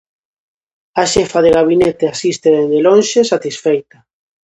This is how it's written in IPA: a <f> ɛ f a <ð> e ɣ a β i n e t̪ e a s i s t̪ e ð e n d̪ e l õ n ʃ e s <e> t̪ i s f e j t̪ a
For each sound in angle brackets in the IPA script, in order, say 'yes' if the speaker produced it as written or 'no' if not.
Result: no, yes, no

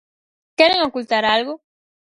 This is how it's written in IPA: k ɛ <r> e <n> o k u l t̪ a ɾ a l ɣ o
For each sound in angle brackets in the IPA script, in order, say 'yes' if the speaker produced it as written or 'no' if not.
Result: no, no

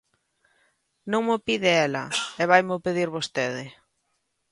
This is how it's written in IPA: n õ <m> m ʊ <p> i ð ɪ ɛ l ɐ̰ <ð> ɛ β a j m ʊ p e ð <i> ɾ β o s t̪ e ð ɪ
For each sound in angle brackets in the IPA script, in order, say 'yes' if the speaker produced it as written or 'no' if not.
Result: no, yes, no, yes

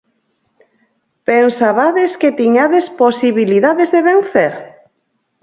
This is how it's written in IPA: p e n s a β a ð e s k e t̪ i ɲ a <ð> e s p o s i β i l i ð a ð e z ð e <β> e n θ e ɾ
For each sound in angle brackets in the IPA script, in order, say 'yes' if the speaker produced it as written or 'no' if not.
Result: yes, yes

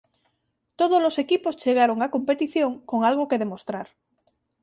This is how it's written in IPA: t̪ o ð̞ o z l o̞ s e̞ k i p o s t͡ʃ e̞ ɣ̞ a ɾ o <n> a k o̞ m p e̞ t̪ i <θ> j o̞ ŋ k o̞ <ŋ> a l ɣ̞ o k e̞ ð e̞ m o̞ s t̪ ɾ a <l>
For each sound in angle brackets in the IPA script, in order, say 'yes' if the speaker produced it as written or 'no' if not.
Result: no, yes, yes, no

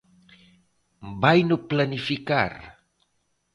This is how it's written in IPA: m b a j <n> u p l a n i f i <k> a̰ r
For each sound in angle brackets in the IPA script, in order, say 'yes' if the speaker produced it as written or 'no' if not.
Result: yes, yes

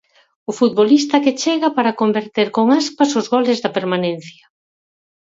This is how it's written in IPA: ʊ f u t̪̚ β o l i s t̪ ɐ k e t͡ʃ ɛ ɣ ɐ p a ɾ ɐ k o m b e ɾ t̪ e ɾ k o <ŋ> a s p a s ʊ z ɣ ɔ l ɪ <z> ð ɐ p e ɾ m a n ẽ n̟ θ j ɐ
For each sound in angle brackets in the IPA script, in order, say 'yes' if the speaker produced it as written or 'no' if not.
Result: yes, yes

